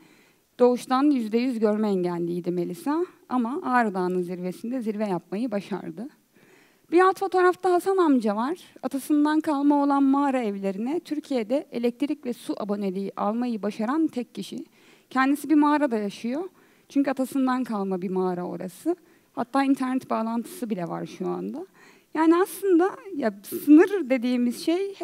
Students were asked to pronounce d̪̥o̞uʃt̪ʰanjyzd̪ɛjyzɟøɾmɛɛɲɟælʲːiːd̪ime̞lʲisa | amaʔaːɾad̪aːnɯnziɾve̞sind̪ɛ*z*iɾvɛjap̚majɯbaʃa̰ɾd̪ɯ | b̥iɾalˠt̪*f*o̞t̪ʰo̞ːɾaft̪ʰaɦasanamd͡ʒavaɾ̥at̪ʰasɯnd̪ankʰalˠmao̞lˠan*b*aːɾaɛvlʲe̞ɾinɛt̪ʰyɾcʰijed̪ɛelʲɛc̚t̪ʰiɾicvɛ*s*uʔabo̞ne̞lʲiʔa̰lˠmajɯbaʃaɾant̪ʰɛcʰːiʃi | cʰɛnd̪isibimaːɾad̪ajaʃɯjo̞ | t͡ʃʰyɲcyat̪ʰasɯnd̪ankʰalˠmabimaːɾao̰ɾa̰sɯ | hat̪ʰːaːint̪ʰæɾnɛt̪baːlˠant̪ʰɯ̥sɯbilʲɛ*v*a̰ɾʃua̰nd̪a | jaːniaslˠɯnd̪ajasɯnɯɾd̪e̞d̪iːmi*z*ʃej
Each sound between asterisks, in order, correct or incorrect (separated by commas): correct, correct, incorrect, correct, correct, correct